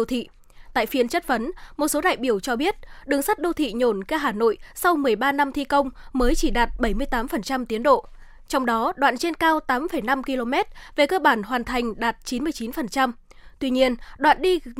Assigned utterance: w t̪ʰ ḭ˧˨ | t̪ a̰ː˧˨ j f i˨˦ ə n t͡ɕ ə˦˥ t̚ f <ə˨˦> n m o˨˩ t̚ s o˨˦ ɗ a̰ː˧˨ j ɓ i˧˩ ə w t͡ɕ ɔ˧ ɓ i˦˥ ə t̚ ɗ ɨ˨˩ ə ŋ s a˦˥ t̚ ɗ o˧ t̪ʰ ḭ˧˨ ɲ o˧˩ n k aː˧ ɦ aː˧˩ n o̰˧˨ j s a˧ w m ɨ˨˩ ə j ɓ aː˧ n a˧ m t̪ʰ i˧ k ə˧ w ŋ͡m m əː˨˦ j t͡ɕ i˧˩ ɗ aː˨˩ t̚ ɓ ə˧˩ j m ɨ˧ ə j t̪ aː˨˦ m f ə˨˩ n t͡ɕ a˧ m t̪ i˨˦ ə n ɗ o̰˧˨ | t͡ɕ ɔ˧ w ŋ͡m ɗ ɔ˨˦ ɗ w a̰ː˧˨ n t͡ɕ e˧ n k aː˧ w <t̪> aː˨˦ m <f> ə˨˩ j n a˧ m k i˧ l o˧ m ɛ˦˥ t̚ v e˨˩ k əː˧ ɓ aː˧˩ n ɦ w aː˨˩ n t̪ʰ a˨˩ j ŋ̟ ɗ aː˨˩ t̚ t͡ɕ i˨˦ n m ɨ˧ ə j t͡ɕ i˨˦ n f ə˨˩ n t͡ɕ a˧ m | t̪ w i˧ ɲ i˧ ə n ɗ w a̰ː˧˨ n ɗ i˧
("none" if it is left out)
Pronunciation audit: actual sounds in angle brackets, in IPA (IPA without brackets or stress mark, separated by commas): ə˨˦, t̪, f